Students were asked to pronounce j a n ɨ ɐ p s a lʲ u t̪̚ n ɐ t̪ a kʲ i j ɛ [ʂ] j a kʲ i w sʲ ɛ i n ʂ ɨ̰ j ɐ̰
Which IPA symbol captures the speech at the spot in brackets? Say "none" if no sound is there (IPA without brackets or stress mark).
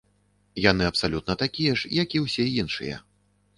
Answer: ʂ